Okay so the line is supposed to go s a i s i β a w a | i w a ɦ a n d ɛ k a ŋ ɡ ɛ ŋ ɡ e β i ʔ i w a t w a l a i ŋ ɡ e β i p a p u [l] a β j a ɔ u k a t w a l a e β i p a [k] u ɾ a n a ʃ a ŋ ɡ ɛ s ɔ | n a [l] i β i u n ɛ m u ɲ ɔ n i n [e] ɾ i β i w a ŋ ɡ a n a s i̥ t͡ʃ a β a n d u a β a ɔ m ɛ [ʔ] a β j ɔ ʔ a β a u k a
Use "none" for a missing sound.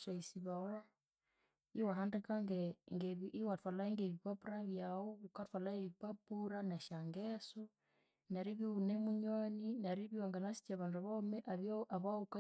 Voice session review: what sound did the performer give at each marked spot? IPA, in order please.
ɾ, p, ɾ, a, ʔ

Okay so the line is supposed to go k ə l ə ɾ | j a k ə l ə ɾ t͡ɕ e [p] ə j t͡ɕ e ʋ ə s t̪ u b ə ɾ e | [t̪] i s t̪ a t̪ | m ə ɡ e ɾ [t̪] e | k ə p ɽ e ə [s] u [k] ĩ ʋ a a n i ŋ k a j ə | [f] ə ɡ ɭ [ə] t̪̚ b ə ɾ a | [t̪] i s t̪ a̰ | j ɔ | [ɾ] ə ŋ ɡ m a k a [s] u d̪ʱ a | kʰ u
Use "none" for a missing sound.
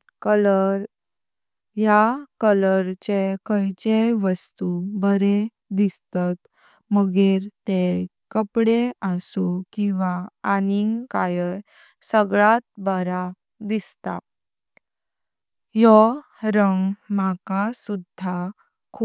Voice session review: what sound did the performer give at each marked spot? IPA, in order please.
k, d̪, t̪, s, k, s, a, d̪, ɾ, s

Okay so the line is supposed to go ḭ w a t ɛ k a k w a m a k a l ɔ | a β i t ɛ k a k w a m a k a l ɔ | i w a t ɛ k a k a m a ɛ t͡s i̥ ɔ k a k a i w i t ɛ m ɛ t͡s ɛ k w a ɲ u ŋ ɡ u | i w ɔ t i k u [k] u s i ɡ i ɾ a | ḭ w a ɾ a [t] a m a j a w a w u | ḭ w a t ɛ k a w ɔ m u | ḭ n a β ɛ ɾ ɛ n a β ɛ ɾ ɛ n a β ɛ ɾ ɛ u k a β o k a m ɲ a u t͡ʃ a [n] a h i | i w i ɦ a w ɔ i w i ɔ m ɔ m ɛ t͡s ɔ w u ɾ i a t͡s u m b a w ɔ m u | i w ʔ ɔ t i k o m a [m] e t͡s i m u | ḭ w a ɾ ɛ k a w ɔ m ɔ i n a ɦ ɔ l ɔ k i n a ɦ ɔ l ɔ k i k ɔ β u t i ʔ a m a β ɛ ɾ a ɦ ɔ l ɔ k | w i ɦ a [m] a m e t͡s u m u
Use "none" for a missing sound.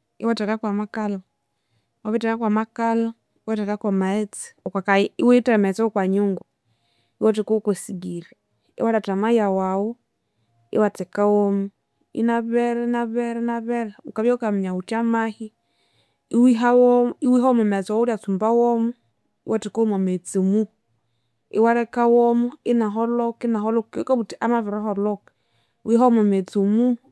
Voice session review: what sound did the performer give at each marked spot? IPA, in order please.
k, t, m, m, m

